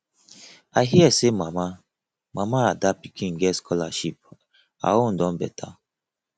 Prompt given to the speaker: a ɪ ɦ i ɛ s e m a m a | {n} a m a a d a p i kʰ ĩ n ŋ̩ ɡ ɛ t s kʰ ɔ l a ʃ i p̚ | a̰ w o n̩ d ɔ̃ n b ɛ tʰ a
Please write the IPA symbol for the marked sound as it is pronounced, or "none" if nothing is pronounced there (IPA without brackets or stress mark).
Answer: m